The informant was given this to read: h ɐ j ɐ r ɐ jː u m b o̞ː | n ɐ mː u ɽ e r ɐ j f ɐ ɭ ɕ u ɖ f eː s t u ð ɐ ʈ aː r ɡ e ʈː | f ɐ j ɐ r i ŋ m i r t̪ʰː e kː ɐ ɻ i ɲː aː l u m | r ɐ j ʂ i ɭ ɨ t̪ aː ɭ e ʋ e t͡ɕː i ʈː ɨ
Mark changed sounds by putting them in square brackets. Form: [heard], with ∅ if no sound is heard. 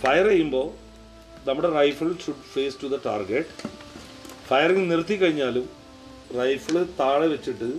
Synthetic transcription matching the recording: [f] ɐ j ɐ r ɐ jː u m b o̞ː | n ɐ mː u ɽ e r ɐ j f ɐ ɭ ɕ u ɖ f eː s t u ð ɐ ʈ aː r ɡ e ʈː | f ɐ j ɐ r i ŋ [n] i r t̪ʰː [i] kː ɐ ɻ i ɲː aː l u m | r ɐ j [f] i ɭ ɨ t̪ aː ɭ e ʋ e t͡ɕː i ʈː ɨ